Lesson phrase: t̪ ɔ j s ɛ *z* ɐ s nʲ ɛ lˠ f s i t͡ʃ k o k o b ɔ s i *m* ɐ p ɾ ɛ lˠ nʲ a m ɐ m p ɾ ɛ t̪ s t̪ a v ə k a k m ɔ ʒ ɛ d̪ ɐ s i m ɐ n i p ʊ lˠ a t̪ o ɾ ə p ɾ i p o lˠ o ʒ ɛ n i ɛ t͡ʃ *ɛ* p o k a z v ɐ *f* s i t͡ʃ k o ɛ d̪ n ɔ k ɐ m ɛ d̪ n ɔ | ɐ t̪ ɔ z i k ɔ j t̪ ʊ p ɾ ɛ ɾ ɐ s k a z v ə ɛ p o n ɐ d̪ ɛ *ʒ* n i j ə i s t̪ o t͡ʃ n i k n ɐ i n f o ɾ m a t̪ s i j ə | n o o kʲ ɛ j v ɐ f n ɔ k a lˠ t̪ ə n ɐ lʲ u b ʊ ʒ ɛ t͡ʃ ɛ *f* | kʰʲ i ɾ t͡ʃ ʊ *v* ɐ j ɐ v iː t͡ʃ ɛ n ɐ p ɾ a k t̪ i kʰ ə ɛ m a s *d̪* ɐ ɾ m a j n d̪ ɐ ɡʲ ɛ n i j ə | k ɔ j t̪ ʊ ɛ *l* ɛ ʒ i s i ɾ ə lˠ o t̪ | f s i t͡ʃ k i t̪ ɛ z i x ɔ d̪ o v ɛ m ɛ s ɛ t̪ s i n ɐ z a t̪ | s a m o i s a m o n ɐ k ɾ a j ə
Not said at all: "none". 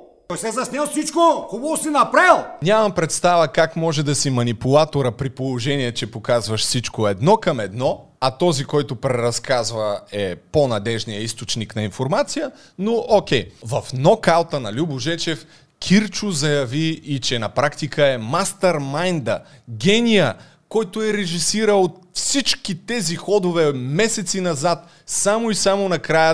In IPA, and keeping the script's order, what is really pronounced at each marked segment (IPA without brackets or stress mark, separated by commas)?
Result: z, n, ɛ, ʃ, ʒ, f, z, t̪, ɾ